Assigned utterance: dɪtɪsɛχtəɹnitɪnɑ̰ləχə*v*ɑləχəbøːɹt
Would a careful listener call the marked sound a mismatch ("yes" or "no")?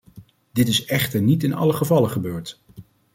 no